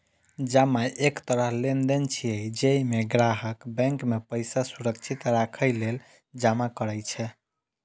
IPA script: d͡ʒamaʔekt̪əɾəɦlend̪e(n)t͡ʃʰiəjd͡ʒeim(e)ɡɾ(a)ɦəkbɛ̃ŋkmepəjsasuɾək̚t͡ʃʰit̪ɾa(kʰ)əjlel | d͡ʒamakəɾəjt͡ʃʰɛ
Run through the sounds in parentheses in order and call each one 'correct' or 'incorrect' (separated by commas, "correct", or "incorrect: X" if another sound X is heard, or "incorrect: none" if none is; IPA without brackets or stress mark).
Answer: correct, correct, correct, correct